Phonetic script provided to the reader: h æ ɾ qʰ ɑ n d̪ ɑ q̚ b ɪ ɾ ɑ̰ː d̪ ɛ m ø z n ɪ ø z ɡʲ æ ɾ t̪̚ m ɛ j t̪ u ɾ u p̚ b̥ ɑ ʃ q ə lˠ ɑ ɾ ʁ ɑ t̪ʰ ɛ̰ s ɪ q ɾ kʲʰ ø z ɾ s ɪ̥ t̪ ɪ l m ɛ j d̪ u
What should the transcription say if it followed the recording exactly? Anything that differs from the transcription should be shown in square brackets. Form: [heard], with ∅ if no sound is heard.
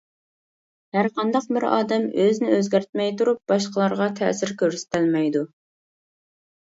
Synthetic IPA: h æ ɾ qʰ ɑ n d̪ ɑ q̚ b ɪ ɾ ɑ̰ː d̪ ɛ m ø z n ɪ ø z ɡʲ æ ɾ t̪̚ m ɛ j t̪ u ɾ u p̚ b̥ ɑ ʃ q ə lˠ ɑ ɾ ʁ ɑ t̪ʰ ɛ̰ s ɪ [∅] ɾ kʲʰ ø [∅] ɾ s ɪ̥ t̪ ɪ l m ɛ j d̪ u